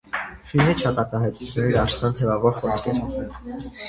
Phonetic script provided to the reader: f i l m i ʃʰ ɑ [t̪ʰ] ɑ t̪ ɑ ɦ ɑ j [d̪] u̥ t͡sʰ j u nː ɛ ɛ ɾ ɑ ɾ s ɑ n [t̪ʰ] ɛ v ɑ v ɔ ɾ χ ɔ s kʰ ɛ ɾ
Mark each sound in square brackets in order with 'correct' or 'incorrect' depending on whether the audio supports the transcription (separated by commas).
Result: incorrect, incorrect, correct